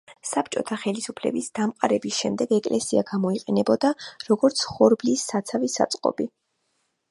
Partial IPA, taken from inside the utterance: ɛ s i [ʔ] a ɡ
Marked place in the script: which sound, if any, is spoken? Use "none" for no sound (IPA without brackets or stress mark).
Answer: none